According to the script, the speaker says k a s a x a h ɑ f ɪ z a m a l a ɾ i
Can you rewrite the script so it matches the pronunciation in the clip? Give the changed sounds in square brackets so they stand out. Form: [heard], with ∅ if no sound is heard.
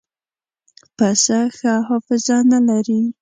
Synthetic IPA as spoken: [p] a s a x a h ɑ f ɪ z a [n] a l a ɾ i